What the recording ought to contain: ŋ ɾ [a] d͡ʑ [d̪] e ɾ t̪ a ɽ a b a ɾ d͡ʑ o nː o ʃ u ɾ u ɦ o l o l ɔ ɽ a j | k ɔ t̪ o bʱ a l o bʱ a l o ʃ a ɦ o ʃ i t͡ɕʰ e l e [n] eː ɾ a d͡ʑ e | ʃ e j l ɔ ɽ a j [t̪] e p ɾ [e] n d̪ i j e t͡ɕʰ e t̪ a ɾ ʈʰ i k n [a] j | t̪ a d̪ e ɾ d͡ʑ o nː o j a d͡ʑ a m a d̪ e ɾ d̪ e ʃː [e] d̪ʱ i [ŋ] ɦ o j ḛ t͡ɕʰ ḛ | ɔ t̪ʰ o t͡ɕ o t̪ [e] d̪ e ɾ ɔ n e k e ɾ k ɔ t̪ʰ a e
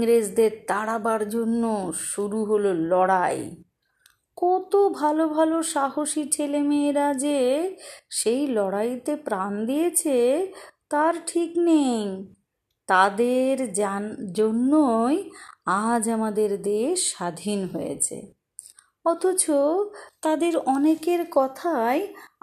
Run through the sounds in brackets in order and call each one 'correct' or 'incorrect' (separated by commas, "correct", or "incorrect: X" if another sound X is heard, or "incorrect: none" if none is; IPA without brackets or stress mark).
incorrect: e, correct, incorrect: m, correct, incorrect: a, incorrect: e, incorrect: a, incorrect: n, incorrect: a